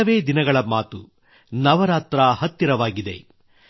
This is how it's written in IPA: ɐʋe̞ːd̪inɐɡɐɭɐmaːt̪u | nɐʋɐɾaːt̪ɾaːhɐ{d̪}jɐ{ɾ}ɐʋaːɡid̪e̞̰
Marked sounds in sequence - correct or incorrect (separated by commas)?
incorrect, correct